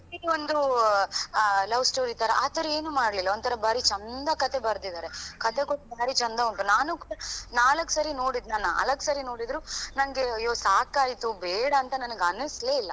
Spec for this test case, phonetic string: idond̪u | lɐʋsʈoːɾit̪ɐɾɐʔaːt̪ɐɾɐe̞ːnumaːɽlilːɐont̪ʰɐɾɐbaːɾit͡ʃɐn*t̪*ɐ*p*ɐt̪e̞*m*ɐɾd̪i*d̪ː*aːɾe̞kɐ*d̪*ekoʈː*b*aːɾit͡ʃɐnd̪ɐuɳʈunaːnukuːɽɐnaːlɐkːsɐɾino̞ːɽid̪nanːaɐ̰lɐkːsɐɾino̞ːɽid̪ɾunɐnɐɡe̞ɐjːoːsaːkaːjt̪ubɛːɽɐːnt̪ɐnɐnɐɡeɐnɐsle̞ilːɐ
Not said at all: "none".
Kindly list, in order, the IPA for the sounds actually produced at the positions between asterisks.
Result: d̪, k, b, d̪, t̪, b

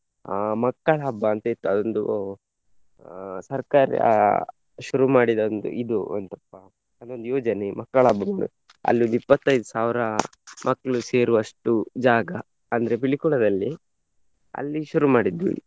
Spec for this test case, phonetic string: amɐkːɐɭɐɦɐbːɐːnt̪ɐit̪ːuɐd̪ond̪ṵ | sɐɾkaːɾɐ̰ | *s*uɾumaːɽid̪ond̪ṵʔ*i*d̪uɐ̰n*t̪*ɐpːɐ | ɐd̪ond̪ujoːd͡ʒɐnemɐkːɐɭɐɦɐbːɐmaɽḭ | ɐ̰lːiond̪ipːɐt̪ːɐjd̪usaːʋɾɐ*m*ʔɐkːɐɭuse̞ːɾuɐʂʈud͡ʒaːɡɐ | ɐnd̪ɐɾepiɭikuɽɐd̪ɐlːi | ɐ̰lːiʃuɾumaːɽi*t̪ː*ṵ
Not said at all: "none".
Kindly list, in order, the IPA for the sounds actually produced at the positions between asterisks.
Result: ʃ, i, t̪, m, d̪ː

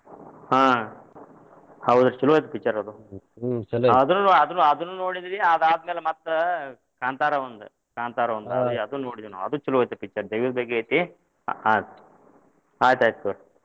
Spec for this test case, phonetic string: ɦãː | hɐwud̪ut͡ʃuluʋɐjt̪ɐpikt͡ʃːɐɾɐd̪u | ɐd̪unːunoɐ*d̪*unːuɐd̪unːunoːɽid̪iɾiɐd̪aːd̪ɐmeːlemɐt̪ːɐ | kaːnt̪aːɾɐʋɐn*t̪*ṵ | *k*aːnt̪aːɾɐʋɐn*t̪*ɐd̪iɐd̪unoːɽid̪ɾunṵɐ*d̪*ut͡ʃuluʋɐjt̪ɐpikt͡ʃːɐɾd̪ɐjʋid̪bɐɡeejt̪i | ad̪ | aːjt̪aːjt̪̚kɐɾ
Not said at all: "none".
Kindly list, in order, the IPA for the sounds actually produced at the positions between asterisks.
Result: d̪, d̪, k, d̪, d̪

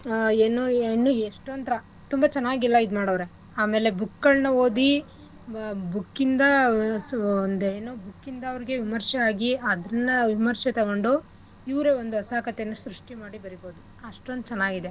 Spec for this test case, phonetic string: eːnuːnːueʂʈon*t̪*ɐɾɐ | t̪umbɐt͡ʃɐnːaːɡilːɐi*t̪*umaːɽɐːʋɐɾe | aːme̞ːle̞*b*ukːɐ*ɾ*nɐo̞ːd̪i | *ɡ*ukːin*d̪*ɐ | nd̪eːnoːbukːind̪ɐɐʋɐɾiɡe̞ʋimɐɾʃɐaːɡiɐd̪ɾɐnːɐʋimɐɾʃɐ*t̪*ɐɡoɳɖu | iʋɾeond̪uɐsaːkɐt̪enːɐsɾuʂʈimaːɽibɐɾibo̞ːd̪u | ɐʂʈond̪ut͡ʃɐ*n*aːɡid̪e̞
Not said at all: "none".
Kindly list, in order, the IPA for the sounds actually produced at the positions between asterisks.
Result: t̪, d̪, b, ɭ, b, d̪, t̪, nː

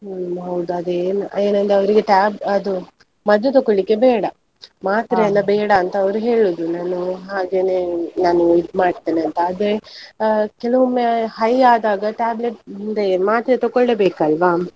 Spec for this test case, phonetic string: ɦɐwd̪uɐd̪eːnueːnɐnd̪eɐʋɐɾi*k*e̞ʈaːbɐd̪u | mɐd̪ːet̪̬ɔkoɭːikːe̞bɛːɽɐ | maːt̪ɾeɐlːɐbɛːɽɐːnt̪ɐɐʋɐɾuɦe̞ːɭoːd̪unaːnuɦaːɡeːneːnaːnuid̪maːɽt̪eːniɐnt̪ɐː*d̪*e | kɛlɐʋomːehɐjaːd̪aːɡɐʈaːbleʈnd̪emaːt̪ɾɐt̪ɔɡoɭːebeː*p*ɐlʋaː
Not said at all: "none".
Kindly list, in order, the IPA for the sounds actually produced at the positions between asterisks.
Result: ɡ, d̪, k

